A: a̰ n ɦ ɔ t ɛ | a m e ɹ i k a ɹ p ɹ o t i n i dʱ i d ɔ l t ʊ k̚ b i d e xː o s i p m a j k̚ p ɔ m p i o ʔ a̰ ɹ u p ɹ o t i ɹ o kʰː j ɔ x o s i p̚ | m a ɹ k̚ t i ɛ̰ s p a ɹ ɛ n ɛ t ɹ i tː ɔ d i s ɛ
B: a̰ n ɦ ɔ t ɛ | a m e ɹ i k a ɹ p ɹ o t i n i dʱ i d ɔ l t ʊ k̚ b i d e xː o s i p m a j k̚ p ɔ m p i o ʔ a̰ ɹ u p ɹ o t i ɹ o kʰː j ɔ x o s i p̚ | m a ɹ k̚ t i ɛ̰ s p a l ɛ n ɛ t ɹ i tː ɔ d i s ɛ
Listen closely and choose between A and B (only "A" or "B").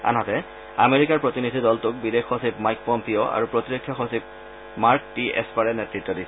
A